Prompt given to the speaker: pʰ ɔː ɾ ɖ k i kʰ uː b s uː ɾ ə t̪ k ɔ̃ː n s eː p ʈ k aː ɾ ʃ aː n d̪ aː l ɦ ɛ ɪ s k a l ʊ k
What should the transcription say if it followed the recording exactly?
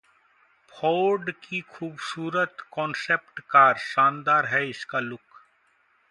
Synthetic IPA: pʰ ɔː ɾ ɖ k i kʰ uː b s uː ɾ ə t̪ k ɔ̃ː n s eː p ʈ k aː ɾ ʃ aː n d̪ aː ɾ ɦ ɛ ɪ s k a l ʊ k